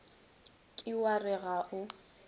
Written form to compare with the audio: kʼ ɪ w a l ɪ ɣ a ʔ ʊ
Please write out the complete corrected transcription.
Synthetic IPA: kʼ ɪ w a r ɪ ɣ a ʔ ʊ